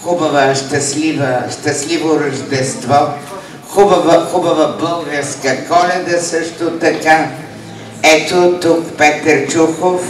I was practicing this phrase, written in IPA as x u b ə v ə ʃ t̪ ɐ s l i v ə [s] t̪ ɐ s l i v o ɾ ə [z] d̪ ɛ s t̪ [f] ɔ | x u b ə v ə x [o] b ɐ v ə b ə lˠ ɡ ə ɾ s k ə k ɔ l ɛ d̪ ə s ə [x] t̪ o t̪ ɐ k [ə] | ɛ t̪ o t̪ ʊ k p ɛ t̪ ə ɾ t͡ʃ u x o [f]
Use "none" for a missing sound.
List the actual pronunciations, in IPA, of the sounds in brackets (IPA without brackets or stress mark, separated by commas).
ʃ, ʒ, v, u, ʃ, a, f